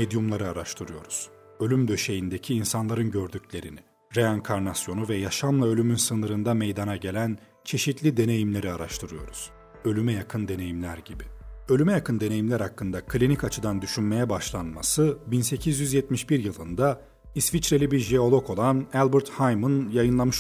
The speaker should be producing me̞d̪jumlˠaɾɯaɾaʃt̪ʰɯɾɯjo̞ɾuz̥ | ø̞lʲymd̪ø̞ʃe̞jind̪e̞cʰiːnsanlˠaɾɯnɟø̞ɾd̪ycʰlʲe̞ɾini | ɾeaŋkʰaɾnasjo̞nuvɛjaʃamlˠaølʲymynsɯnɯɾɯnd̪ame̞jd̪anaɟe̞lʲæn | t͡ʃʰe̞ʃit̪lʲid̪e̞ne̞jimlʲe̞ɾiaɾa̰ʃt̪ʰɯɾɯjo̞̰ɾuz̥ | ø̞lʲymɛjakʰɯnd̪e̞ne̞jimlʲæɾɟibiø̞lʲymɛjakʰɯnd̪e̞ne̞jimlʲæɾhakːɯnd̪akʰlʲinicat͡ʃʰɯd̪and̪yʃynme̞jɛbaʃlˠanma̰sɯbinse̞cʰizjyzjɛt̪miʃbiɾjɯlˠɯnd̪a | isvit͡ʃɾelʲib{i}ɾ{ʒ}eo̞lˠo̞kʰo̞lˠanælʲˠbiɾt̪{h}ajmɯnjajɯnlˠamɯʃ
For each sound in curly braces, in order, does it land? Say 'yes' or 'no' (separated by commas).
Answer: yes, yes, yes